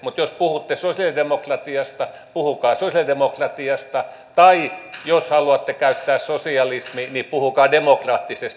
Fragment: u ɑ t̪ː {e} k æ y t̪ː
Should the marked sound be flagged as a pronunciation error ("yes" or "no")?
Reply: no